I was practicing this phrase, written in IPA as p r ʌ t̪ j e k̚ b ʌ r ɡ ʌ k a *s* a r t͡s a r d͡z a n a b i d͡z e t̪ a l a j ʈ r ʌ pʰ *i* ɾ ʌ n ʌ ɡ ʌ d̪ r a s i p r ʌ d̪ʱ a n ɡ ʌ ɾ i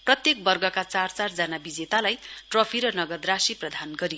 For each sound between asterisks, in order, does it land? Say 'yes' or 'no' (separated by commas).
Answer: no, yes